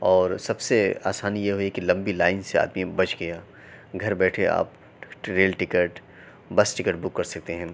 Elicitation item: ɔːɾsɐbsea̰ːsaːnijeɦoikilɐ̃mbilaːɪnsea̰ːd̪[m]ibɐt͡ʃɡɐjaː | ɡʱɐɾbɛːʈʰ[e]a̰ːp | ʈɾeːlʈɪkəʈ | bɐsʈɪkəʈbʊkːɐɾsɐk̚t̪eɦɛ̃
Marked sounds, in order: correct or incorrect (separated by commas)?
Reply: correct, correct